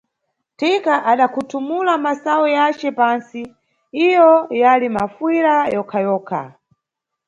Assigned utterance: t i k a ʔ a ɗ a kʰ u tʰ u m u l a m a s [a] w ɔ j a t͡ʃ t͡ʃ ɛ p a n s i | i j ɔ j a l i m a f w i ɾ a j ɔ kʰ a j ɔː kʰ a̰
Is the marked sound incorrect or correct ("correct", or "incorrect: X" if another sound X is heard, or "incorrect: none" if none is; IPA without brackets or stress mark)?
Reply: correct